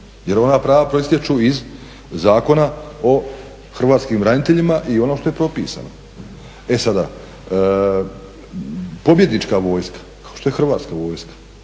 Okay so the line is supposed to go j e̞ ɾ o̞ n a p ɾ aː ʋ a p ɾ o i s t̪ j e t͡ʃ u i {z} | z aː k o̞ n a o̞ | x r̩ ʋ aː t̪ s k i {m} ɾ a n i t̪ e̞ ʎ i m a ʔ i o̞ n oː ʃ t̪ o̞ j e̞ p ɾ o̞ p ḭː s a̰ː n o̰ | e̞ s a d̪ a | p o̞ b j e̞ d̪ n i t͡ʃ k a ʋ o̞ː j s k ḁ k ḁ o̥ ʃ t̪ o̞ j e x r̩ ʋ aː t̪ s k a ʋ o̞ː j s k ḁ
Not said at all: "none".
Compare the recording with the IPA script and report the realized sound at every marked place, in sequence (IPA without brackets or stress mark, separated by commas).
z, m